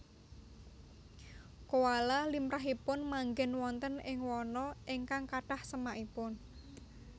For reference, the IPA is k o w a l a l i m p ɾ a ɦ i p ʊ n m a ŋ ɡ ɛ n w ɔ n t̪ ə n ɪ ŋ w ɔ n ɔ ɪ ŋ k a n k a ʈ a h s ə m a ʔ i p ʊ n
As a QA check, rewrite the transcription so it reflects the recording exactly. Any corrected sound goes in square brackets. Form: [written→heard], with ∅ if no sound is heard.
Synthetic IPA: k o w a l a l i m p ɾ a ɦ i p ʊ n m a ŋ ɡ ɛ n w ɔ n t̪ ə n ɪ ŋ w ɔ n ɔ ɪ ŋ k a [n→ŋ] k a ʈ a h s ə m a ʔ i p ʊ n